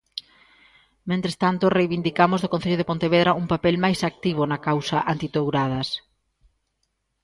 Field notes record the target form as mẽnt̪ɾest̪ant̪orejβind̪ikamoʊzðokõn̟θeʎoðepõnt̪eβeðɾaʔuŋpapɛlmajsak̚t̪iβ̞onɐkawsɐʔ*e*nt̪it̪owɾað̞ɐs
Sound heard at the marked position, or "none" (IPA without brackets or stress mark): a